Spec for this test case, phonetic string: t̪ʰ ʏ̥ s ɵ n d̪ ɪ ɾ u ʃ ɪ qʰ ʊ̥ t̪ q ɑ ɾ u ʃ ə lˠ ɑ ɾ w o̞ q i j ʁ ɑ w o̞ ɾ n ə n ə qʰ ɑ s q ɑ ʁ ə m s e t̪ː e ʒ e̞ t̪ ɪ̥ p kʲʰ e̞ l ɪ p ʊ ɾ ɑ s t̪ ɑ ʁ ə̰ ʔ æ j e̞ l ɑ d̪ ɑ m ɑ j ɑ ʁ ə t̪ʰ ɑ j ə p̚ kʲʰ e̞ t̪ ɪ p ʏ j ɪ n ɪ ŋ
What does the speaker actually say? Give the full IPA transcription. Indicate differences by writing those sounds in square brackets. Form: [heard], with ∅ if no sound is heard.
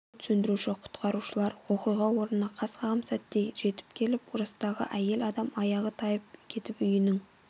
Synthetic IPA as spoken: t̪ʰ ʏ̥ s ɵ n d̪ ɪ ɾ u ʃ ɪ qʰ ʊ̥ t̪ q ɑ ɾ u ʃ ə lˠ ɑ ɾ w o̞ q i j ʁ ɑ w o̞ ɾ n ə n [ɑ] qʰ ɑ s q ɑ ʁ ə m s [æ] t̪ː e ʒ e̞ t̪ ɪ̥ p kʲʰ e̞ l ɪ p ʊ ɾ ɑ s t̪ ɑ ʁ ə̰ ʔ æ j e̞ l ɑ d̪ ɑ m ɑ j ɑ ʁ ə t̪ʰ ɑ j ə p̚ kʲʰ e̞ t̪ ɪ p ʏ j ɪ n ɪ ŋ